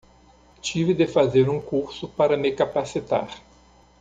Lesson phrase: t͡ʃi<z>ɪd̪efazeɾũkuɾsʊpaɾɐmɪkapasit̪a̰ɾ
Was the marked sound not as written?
yes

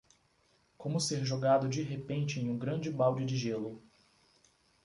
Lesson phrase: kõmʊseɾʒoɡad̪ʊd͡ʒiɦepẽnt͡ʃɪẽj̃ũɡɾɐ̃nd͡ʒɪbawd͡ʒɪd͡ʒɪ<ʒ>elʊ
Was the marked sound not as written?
no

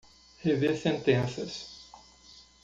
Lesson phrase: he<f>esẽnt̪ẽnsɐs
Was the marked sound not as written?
yes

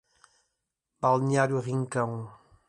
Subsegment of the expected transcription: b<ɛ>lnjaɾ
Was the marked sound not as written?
yes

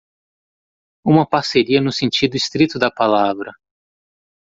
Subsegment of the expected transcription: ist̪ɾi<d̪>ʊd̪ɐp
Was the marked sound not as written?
yes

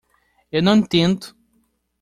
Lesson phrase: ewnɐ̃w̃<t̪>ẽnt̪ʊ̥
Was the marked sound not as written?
no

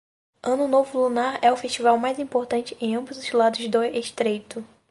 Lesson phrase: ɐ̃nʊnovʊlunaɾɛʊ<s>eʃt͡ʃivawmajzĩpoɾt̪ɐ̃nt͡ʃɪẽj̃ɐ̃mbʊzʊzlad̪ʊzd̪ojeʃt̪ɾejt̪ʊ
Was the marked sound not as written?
yes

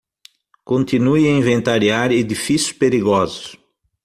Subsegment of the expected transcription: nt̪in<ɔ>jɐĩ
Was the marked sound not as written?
yes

